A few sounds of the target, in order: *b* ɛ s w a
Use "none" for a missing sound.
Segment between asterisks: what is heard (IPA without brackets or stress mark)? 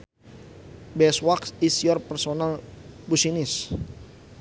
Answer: b